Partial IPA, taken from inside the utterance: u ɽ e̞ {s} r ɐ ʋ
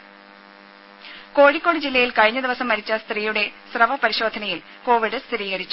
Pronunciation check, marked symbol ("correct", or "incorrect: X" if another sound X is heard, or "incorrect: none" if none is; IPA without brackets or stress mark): correct